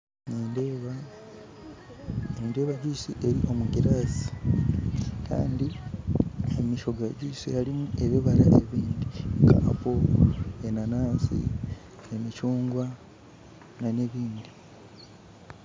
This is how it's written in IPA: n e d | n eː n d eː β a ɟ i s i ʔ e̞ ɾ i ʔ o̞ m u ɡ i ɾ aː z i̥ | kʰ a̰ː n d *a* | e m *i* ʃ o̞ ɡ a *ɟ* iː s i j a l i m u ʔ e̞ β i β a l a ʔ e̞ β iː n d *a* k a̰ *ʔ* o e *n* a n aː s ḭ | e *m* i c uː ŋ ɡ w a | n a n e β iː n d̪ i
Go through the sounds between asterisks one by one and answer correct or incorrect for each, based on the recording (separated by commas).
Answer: incorrect, correct, correct, incorrect, incorrect, correct, correct